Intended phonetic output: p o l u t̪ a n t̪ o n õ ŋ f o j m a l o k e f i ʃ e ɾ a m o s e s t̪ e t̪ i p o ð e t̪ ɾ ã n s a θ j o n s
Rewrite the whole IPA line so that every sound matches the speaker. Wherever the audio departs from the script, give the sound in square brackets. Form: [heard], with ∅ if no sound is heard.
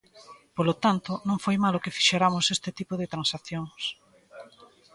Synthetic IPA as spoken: p o l [o] t̪ a n t̪ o n õ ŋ f o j m a l o k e f i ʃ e ɾ a m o s e s t̪ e t̪ i p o ð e t̪ ɾ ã n s a θ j o [ŋ] s